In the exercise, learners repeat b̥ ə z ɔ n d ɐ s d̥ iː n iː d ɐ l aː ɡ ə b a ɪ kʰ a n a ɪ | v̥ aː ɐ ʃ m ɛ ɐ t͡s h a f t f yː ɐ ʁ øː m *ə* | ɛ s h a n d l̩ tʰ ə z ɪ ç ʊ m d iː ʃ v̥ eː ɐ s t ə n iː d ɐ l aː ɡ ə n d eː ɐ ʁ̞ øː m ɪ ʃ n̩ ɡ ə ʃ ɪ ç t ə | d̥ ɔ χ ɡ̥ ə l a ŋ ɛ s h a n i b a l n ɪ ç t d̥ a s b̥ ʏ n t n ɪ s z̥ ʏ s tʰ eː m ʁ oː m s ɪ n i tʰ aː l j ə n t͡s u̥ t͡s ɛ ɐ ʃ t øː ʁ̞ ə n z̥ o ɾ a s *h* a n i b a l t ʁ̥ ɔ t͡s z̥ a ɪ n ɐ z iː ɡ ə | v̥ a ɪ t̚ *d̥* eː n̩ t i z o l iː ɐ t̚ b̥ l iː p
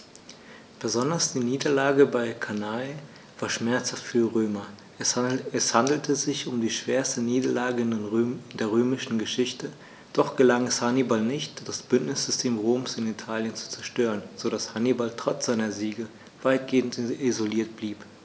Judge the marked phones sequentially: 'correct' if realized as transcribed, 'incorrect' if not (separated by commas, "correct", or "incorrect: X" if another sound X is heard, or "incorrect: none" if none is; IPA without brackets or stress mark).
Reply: incorrect: ɐ, correct, incorrect: ɡ̥